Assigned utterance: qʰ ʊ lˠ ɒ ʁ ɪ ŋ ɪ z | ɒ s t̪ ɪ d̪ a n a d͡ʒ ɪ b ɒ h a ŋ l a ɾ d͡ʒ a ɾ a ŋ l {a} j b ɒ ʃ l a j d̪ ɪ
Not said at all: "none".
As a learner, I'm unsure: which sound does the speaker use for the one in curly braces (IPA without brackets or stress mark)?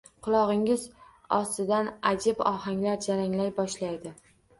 a